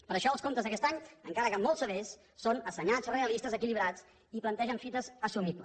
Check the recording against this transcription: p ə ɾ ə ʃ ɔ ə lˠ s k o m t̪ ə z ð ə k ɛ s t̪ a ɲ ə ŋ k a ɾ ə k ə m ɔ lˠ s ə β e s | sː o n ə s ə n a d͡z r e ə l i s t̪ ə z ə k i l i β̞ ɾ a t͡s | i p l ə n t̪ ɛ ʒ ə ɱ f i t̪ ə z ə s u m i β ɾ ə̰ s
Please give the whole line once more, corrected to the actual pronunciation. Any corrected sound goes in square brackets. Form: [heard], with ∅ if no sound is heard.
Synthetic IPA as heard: p ə ɾ ə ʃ ɔ ə lˠ s k o m t̪ ə z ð ə k ɛ s t̪ a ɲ ə ŋ k a ɾ ə k ə m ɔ lˠ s ə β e s | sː o n ə s ə [ɲ] a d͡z r e ə l i s t̪ ə z ə k i l i β̞ ɾ a t͡s | i p l ə n t̪ ɛ ʒ ə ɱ f i t̪ ə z ə s u m i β [l] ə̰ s